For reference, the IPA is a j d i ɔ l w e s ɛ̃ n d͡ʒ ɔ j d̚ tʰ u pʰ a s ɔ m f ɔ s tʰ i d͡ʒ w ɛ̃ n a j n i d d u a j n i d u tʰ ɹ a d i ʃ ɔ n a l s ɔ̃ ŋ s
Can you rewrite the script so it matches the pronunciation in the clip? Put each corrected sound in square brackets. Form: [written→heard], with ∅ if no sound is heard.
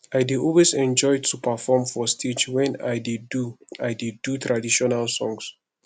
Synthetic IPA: a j d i ɔ l w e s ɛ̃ n d͡ʒ ɔ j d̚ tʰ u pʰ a [s→f] ɔ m f ɔ s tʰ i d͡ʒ w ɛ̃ n a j [n→d] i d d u a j [n→d] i d u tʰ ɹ a d i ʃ ɔ n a l s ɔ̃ ŋ s